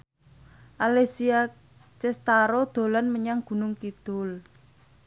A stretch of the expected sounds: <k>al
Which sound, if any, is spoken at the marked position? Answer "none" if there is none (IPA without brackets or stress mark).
ʔ